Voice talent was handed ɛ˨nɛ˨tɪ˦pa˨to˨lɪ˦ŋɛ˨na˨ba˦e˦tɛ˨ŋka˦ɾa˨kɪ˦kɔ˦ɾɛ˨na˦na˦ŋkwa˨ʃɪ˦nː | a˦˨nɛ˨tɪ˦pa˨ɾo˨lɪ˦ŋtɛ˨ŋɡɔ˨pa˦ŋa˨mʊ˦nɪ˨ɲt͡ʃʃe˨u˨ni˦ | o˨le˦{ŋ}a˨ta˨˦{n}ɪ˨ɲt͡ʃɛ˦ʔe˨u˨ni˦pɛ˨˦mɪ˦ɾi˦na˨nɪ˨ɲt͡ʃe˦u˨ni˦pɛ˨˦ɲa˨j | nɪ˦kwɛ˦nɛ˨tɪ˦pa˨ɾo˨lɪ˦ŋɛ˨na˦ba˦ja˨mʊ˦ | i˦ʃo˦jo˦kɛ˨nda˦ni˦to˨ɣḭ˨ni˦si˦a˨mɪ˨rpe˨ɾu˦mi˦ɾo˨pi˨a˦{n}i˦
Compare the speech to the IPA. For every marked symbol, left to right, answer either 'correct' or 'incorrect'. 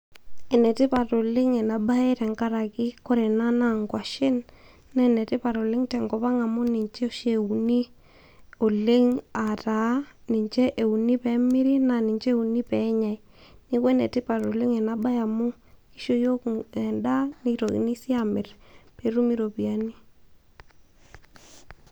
correct, correct, correct

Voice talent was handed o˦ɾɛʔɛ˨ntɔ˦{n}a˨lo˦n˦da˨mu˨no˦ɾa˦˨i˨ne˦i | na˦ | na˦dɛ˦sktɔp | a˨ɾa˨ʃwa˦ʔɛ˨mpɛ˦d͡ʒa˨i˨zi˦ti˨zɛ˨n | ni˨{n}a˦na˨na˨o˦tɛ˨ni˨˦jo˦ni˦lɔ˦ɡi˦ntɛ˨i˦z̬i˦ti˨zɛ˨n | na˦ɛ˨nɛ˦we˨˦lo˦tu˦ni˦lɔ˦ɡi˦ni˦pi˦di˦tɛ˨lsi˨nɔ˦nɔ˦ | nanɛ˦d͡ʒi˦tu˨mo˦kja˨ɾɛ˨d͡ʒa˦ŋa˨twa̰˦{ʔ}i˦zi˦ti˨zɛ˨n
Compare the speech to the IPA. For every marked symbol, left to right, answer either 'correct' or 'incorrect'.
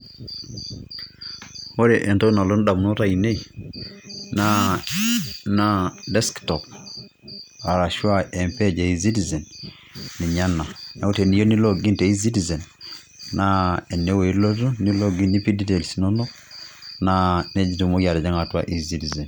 correct, incorrect, correct

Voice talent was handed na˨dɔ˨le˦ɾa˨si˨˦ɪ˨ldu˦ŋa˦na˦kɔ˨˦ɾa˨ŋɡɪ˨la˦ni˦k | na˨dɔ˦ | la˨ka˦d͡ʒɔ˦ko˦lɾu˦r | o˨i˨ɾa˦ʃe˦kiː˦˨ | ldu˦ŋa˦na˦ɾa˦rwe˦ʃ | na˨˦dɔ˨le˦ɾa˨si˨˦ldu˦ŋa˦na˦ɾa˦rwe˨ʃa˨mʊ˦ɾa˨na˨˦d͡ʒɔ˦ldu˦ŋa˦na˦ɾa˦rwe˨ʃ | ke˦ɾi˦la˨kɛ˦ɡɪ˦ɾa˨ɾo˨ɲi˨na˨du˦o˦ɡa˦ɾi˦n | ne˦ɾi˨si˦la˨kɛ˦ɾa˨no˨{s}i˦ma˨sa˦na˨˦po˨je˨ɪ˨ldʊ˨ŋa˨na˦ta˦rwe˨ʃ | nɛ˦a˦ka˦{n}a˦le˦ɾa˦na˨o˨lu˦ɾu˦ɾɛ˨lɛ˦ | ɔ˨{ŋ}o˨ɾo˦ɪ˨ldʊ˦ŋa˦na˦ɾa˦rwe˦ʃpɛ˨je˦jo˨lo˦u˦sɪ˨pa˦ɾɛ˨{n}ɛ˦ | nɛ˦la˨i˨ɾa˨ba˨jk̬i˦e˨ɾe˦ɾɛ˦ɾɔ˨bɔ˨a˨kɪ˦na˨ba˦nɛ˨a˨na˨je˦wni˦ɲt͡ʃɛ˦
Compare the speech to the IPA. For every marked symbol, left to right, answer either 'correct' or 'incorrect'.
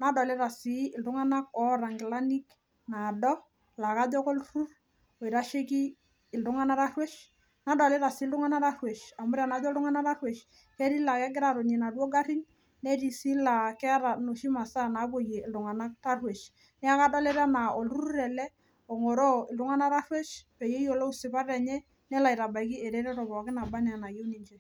incorrect, incorrect, correct, incorrect

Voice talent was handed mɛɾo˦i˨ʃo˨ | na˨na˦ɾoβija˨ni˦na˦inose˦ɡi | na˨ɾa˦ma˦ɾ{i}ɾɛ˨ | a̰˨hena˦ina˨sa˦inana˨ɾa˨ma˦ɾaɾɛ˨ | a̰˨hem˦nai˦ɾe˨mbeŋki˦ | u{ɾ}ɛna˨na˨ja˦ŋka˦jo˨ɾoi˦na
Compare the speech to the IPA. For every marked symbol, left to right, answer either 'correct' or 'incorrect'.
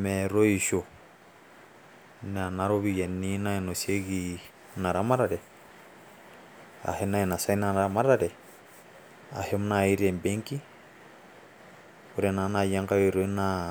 incorrect, correct

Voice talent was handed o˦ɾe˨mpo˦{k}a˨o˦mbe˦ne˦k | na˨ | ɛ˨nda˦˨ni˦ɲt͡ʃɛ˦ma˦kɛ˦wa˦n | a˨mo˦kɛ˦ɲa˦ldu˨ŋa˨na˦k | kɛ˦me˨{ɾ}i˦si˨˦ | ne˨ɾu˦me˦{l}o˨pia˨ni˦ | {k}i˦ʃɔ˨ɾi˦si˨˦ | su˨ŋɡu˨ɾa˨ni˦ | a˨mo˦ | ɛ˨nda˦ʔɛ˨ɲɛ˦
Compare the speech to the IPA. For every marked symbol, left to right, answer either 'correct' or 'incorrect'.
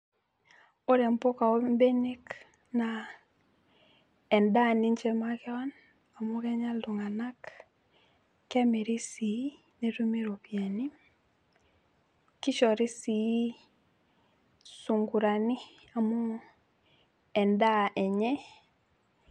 correct, correct, incorrect, correct

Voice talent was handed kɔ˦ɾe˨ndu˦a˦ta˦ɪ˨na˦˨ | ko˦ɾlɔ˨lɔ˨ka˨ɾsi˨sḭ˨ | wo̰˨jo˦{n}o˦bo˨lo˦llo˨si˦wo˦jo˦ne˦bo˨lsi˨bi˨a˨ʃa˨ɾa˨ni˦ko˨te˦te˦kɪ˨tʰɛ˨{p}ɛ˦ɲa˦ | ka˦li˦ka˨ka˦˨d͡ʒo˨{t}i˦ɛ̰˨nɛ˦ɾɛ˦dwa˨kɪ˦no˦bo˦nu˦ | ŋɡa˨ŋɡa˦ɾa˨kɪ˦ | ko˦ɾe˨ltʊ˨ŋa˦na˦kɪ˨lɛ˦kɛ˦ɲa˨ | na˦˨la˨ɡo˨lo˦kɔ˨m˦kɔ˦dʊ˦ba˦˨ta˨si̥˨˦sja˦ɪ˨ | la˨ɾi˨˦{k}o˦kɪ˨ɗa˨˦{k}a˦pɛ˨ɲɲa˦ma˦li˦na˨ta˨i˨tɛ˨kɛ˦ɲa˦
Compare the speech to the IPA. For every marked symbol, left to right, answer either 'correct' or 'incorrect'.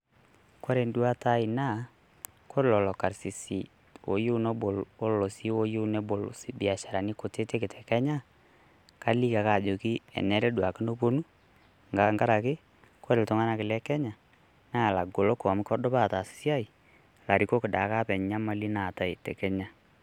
correct, incorrect, incorrect, correct, correct

